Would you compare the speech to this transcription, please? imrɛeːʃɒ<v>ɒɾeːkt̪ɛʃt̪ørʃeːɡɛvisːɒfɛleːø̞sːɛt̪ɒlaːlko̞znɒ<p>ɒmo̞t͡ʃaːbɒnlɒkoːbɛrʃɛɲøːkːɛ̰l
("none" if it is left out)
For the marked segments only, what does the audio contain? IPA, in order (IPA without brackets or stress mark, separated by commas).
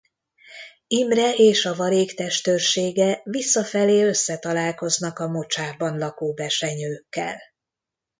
v, k